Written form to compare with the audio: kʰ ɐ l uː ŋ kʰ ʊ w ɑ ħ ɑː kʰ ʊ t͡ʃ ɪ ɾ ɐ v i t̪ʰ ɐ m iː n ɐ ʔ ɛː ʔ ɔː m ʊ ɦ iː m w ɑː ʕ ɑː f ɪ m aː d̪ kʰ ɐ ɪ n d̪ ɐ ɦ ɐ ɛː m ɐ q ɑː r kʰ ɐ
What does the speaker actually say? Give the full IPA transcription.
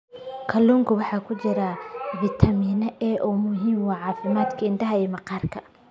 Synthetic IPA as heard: kʰ ɐ l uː ŋ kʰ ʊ w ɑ ħ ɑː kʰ ʊ t͡ʃ ɪ ɾ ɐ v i t̪ʰ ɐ m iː n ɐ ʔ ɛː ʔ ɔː m ʊ ɦ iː m w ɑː ʕ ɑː f ɪ m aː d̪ kʰ ɐ ɪ n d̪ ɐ ɦ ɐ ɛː m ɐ q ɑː r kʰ ɐ

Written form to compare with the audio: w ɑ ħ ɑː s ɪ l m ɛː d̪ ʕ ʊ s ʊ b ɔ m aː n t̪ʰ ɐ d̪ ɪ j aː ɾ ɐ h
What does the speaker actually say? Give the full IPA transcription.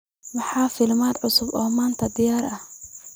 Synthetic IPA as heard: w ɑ ħ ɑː f ɪ l m aː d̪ ʕ ʊ s ʊ b ɔː m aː n t̪ʰ ɐ d̪ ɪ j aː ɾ ɐ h

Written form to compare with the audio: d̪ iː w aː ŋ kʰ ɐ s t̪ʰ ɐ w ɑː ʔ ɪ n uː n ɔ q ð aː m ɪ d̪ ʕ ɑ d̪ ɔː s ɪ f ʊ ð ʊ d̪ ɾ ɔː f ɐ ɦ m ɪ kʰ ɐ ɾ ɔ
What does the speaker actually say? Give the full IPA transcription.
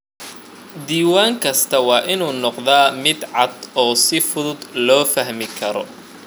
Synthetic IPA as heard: d̪ iː w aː ŋ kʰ ɐ s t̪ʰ ɐ w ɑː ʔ ɪ n uː n ɔ q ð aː m ɪ d̪ ʕ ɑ d̪ ɔː s ɪ f ʊ ð ʊ d̪ l ɔː f ɐ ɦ m ɪ kʰ ɐ ɾ ɔ

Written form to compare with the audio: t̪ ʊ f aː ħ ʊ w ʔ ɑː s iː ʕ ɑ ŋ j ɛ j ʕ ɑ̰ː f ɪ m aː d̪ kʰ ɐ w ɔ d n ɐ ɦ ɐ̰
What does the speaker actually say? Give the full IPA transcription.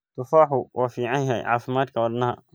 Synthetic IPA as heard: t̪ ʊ f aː ħ ʊ w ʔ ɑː f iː ʕ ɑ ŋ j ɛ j ʕ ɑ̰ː f ɪ m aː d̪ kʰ ɐ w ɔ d n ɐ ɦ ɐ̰

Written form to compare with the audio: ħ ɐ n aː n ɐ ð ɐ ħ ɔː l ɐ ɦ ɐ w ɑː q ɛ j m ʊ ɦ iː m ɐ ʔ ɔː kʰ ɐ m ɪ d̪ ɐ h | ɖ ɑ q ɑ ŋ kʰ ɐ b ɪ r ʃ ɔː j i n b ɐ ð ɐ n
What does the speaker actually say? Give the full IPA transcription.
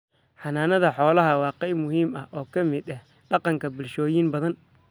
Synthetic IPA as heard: ħ ɑ n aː n ɐ ð ɐ ħ ɔː l ɐ ɦ ɐ w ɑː q ɛ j m ʊ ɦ iː m ɐ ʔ ɔː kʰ ɐ m ɪ d̪ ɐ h | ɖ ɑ q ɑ ŋ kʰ ɐ b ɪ l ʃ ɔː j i n b ɐ ð ɐ n

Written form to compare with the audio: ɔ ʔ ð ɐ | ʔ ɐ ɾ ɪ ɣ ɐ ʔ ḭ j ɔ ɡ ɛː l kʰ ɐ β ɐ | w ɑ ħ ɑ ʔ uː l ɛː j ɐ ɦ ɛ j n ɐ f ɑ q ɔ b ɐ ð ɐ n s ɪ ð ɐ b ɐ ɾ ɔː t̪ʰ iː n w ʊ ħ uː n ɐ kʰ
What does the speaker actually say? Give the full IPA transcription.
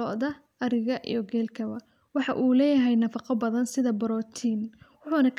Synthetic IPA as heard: ɔ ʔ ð ɐ | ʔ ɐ ɾ ɪ ɣ ɐ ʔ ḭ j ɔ ɡ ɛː l kʰ ɐ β ɐ | w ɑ ħ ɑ ʔ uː l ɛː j ɐ ɦ ɛ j n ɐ f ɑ q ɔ b ɐ ð ɐ n s ɪ ð ɐ b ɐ ɾ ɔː t̪ʰ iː n w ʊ ħ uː n ɐ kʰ

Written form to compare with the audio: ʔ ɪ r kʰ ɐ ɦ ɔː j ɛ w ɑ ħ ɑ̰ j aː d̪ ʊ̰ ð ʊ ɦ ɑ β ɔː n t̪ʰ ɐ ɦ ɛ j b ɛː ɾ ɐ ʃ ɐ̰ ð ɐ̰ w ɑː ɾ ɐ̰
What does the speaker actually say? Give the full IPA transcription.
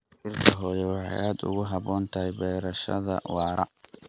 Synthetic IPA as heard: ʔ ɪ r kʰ ɐ ɦ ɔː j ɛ w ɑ ħ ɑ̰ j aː d̪ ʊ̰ ɣ ʊ ɦ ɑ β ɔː n t̪ʰ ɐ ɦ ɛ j b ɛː ɾ ɐ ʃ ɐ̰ ð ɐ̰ w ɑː ɾ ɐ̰

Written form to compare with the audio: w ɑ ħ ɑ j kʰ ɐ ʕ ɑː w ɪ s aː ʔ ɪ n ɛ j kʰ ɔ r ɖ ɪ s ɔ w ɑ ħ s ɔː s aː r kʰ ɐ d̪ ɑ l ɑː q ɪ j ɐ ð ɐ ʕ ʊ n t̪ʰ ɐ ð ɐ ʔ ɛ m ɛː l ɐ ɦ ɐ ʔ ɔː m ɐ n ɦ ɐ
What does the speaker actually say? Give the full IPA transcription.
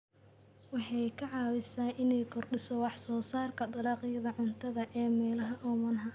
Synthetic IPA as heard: w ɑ ħ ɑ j kʰ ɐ ʕ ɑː w ɪ s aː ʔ ɪ n ɛ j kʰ ɔ r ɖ ɪ s ɔ w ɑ ħ s ɔː s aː r kʰ ɐ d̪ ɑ l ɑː q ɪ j ɐ ð ɐ ʕ ʊ n t̪ʰ ɐ ð ɐ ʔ ɛː m ɛː l ɐ ɦ ɐ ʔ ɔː m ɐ n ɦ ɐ

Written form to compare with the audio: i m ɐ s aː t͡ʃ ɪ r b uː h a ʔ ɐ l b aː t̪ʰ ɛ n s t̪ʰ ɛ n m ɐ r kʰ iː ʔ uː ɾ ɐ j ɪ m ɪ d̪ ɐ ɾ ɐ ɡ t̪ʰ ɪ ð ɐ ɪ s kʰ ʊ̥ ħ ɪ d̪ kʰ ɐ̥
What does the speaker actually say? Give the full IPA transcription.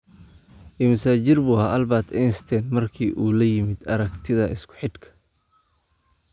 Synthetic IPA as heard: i m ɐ s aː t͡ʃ ɪ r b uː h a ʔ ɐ l b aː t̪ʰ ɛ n s t̪ʰ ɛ n m ɐ r kʰ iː ʔ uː l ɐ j ɪ m ɪ d̪ ɐ ɾ ɐ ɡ t̪ʰ ɪ ð ɐ ɪ s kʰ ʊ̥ ħ ɪ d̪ kʰ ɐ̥

